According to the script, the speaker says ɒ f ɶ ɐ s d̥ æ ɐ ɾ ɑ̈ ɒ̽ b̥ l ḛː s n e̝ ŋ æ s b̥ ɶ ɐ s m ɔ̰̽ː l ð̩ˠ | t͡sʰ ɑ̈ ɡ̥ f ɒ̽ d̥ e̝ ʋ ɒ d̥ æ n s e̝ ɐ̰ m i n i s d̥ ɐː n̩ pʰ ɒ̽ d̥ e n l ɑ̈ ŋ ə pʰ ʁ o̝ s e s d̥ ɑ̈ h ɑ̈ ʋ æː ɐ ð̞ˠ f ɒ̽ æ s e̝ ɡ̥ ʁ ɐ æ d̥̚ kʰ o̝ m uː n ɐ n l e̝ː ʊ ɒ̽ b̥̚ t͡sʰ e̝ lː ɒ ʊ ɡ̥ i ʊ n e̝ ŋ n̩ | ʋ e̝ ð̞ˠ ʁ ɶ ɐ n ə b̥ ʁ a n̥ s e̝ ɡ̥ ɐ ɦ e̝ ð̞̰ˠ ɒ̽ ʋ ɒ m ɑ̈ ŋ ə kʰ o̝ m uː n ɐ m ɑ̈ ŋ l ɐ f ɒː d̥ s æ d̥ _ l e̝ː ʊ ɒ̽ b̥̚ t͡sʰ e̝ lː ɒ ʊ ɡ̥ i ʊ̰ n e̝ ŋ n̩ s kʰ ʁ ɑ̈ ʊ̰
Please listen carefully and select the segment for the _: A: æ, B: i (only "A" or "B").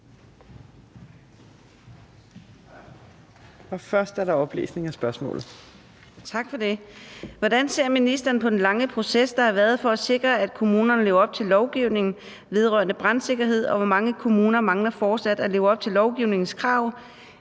A